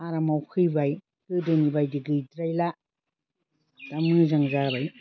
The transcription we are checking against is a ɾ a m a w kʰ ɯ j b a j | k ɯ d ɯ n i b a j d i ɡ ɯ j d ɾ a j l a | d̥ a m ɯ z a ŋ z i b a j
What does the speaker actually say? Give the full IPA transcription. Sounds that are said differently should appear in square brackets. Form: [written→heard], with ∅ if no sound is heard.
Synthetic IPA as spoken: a ɾ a m a w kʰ ɯ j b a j | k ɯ d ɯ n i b a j d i ɡ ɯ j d ɾ a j l a | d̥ a m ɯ z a ŋ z [i→a] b a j